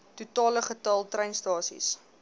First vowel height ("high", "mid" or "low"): high